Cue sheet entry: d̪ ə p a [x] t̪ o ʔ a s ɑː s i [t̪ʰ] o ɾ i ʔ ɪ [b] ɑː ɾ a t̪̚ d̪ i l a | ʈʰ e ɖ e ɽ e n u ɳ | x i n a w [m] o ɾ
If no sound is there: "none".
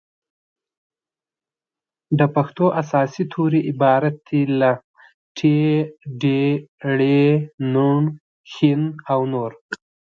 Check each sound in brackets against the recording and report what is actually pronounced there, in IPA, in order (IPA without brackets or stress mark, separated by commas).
x, t̪ʰ, b, n